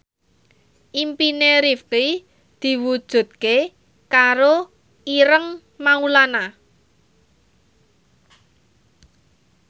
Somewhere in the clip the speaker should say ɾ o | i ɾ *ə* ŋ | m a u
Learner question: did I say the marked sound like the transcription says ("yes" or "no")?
yes